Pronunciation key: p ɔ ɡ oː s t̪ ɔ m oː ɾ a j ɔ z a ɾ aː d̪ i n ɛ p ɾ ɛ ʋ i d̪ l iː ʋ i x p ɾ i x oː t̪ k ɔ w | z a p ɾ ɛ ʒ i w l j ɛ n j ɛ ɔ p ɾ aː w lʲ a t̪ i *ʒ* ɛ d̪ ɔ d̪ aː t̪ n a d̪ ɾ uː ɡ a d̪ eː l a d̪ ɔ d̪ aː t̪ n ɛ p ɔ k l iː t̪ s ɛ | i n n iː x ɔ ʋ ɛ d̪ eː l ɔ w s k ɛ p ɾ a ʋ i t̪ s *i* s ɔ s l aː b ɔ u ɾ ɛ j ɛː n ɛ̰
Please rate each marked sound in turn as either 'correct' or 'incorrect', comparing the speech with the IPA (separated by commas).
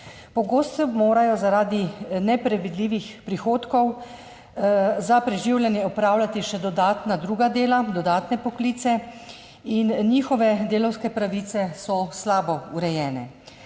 incorrect, incorrect